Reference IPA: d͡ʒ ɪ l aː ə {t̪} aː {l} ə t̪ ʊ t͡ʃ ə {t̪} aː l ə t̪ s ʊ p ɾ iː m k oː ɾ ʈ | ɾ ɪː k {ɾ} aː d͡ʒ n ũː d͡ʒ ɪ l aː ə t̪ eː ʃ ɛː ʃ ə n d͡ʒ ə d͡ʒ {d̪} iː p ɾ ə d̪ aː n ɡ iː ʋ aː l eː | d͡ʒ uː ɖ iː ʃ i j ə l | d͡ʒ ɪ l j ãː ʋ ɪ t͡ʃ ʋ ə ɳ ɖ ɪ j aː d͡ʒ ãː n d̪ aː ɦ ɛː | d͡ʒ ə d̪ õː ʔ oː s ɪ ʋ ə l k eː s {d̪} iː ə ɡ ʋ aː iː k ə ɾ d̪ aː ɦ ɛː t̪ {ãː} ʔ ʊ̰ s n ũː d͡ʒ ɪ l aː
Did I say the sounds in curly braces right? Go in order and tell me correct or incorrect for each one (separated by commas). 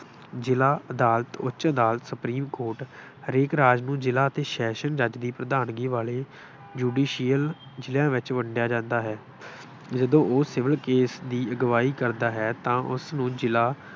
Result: incorrect, correct, incorrect, correct, correct, correct, correct